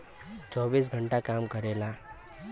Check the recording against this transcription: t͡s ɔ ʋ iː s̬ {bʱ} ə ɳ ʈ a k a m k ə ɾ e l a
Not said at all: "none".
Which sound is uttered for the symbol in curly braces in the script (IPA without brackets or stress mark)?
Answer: ɡʱ